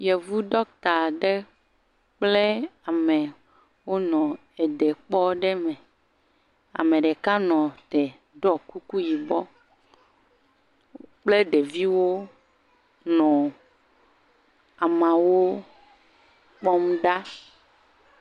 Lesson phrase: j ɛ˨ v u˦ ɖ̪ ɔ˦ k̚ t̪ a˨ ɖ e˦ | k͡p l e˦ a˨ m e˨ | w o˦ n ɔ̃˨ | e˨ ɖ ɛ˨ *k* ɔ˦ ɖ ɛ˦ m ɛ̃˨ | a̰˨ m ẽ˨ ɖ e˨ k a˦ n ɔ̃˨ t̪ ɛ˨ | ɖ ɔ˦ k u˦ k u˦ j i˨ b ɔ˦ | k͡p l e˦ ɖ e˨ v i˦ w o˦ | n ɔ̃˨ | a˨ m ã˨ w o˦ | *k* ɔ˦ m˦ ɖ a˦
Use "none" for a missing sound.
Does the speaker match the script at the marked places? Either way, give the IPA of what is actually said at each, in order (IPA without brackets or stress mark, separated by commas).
k͡p, k͡p